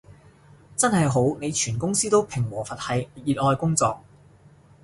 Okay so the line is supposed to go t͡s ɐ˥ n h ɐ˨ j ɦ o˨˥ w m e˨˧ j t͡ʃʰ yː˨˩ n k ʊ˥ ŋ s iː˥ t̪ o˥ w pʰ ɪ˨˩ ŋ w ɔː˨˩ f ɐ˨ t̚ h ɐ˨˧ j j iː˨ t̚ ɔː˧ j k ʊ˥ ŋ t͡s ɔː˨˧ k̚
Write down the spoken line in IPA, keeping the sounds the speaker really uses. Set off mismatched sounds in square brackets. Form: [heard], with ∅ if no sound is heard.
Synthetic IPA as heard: t͡s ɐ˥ n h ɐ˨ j ɦ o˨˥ w [n] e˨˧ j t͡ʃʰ yː˨˩ n k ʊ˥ ŋ s iː˥ t̪ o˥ w pʰ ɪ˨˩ ŋ w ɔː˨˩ f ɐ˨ t̚ h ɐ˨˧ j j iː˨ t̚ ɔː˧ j k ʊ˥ ŋ t͡s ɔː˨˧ k̚